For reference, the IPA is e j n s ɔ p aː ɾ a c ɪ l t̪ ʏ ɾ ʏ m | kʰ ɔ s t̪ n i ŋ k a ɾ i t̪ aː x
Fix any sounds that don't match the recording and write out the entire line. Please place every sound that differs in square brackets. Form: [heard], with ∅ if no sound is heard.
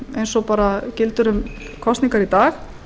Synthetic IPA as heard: e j n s ɔ p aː ɾ a c ɪ l t̪ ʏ ɾ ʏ m | kʰ ɔ s t̪ n i ŋ k a ɾ i t̪ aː x